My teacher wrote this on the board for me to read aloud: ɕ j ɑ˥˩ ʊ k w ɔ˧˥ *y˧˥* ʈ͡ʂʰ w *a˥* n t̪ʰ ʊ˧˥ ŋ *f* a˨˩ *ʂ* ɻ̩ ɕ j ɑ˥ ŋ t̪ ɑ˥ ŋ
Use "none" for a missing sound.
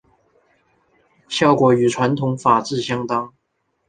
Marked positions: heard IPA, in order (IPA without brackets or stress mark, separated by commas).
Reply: y˨˩, a˧˥, f, ʈ͡ʂ